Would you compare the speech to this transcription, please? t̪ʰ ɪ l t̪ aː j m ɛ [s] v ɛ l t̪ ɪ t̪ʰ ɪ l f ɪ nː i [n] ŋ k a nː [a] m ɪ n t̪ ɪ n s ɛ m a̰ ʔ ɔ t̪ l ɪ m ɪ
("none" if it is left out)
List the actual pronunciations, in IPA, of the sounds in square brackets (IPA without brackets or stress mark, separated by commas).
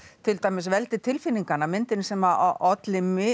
s, none, a